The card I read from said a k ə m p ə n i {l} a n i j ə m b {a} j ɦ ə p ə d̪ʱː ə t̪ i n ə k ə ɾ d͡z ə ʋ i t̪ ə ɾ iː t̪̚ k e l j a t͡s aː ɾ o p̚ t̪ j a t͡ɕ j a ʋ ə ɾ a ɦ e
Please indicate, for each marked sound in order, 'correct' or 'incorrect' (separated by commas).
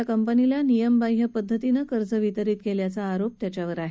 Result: correct, correct